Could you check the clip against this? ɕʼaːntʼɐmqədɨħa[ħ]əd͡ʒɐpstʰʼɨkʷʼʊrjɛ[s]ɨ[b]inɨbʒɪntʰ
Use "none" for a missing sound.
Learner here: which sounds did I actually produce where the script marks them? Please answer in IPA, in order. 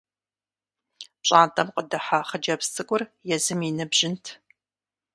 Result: χ, z, m

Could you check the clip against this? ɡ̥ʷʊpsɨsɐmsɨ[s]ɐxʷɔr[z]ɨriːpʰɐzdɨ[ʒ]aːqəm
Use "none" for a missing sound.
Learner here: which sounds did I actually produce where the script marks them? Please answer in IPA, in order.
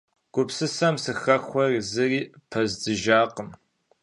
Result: x, z, ʒ

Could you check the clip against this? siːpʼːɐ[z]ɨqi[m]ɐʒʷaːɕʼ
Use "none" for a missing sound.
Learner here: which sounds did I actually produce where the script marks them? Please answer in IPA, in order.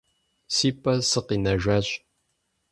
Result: s, n

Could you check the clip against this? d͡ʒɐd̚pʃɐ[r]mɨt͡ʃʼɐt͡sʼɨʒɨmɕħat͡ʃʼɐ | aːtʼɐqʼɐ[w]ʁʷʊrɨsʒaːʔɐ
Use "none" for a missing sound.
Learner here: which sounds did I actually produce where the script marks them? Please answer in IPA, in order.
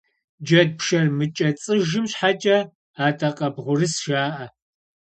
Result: r, b

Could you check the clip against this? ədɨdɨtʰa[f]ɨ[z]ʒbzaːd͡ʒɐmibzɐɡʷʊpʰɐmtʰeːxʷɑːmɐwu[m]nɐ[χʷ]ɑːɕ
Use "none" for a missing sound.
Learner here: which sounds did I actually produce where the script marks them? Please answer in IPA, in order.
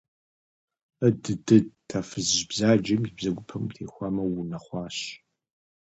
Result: f, z, none, χʷ

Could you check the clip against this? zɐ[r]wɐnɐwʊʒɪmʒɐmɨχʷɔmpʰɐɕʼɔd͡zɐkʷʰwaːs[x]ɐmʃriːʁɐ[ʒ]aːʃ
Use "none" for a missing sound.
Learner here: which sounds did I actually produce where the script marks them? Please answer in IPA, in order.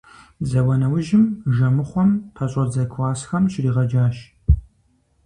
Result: none, x, d͡ʒ

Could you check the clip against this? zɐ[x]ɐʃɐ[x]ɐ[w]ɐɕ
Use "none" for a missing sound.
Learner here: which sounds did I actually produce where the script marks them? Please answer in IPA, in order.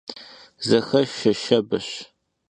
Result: x, ʃ, b

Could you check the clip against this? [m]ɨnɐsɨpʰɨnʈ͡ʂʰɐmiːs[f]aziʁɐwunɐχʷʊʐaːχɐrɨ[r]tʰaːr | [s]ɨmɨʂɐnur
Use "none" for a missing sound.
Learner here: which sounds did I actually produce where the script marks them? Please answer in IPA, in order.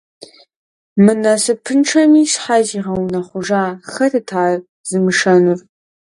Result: m, ħ, none, z

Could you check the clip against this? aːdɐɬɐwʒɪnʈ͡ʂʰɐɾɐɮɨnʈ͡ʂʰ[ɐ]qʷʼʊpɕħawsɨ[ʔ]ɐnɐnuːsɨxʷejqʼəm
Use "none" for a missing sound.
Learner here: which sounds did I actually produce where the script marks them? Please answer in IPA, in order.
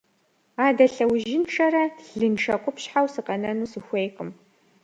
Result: ɐ, q

